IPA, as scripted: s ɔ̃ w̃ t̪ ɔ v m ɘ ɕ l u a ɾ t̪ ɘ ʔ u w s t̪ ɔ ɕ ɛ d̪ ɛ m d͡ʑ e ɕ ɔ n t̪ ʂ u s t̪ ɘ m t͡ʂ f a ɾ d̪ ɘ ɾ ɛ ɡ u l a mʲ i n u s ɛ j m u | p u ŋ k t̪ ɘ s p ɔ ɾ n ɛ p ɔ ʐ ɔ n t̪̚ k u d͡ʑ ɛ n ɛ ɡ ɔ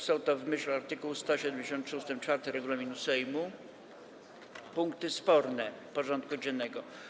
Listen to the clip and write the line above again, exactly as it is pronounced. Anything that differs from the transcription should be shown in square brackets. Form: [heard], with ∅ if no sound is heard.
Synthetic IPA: s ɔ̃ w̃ t̪ ɔ v m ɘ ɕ l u a ɾ t̪ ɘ [k] u w s t̪ ɔ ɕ ɛ d̪ ɛ m d͡ʑ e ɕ ɔ n t̪ ʂ u s t̪ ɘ m t͡ʂ f a ɾ [t̪] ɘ ɾ ɛ ɡ u l a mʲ i n u s ɛ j m u | p u ŋ k t̪ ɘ s p ɔ ɾ n ɛ p ɔ ʐ ɔ n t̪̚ k u d͡ʑ ɛ [nː] ɛ ɡ ɔ

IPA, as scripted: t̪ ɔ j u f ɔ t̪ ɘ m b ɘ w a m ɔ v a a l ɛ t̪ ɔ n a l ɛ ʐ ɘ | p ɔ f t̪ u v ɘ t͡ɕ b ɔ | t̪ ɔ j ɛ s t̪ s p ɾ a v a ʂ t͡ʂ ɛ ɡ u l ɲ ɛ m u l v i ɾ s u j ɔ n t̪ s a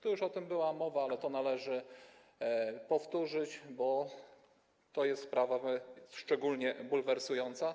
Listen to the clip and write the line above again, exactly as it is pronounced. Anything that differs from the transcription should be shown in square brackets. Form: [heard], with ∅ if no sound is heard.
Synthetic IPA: t̪ ɔ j u [ʂ] ɔ t̪ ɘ m b ɘ w a m ɔ v a a l ɛ t̪ ɔ n a l ɛ ʐ ɘ | p ɔ f t̪ u [ʐ] ɘ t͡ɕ b ɔ | t̪ ɔ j ɛ s t̪ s p ɾ a v a ʂ t͡ʂ ɛ ɡ u l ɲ ɛ [b] u l v [ɛ] ɾ s u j ɔ n t̪ s a

